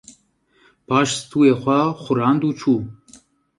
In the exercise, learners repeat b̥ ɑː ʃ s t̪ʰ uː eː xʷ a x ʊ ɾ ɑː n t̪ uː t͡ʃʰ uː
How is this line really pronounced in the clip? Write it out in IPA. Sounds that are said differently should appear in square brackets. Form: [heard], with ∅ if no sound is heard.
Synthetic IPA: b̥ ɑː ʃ s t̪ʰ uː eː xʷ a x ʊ ɾ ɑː n [d̪] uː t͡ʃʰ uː